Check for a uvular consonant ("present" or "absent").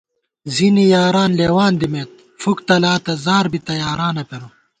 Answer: absent